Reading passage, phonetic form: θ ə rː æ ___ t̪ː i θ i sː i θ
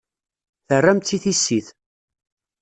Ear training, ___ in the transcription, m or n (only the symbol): m